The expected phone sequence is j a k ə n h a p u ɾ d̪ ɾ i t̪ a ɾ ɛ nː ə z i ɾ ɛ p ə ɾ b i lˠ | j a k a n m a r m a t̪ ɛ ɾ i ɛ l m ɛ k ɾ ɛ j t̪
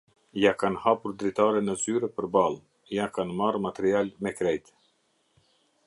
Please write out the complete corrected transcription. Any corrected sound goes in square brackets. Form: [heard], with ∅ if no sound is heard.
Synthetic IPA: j a k [a] n h a p u ɾ d̪ ɾ i t̪ a ɾ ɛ [n] ə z [y] ɾ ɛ p ə ɾ b [a] lˠ | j a k a n m a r m a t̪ ɛ ɾ i [a] l m ɛ k ɾ ɛ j t̪